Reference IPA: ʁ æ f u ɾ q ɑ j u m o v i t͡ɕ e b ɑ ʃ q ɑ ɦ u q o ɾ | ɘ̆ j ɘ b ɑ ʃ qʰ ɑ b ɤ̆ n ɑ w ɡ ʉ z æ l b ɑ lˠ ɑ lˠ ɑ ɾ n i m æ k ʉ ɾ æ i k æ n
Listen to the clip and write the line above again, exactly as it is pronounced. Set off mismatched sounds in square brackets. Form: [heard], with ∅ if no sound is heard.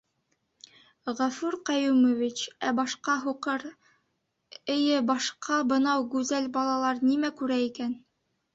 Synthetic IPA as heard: ʁ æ f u ɾ q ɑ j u m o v i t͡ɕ [æ] b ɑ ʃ q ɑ ɦ u q [ɤ] ɾ | ɘ̆ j ɘ b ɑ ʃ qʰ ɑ b ɤ̆ n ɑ w ɡ ʉ z æ l b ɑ lˠ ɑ lˠ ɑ ɾ n i m æ k ʉ ɾ æ i k æ n